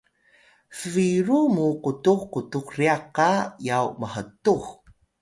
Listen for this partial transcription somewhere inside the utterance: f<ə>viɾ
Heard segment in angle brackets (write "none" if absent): ə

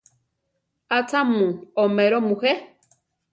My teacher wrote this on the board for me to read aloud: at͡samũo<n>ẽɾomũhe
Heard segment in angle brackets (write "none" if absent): m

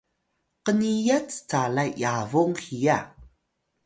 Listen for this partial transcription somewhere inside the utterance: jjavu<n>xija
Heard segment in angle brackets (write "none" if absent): ŋ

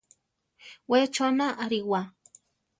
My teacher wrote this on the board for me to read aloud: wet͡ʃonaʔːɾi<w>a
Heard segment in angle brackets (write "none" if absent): w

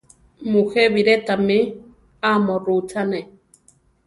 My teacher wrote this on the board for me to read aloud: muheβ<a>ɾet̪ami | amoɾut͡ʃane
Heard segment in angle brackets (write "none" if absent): i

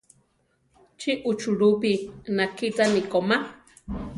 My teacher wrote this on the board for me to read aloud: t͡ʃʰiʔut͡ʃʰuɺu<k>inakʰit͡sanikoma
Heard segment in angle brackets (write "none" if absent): p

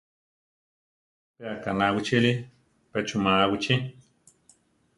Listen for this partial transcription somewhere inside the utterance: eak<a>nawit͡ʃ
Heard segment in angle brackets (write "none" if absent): a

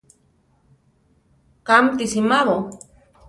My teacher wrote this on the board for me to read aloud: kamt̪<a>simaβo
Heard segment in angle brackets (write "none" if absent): i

